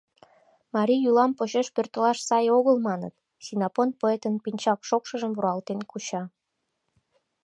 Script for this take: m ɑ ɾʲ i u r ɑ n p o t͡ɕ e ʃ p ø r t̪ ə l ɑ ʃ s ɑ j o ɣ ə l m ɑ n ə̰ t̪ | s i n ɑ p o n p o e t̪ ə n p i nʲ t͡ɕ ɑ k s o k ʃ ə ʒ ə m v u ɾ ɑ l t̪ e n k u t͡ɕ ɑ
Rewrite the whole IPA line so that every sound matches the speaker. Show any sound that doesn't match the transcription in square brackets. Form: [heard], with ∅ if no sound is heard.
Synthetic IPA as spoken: m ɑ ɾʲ i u [l] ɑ [m] p o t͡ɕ e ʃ p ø r t̪ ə l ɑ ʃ s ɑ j o ɣ ə l m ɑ n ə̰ t̪ | s i n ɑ p o n p o e t̪ ə n p i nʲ t͡ɕ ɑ k [ʃ] o k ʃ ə ʒ ə m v u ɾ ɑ l t̪ e n k u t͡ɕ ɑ